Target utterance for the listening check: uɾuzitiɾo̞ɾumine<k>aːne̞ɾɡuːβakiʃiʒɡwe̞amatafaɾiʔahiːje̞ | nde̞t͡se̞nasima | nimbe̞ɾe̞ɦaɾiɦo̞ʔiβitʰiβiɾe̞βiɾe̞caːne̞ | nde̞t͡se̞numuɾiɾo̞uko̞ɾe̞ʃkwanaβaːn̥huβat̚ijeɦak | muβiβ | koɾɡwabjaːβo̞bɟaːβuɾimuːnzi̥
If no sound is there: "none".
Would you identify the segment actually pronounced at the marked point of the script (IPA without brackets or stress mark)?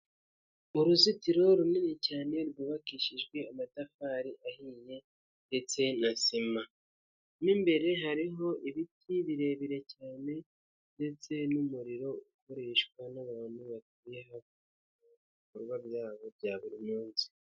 c